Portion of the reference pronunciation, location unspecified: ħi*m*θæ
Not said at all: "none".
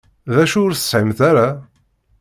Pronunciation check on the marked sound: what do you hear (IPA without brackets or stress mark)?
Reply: m